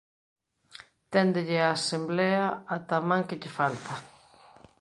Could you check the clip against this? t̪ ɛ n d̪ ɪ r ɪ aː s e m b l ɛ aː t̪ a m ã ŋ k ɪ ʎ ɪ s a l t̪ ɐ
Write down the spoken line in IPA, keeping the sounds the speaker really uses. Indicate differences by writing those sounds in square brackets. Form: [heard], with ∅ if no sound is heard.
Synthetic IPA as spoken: t̪ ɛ n d̪ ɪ [ʎ] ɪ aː s e m b l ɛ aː t̪ a m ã ŋ k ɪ ʎ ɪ [f] a l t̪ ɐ